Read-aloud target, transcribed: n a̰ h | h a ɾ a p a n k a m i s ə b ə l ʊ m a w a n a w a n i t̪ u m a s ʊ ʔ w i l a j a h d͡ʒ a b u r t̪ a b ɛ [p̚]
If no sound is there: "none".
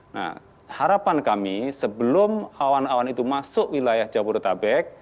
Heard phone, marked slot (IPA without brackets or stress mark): k̚